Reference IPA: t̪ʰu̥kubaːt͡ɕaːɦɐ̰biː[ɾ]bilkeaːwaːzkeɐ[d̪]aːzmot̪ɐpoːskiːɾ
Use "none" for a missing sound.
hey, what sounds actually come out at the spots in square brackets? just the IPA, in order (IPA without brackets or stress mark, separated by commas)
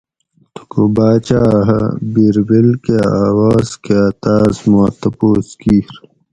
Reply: ɾ, t̪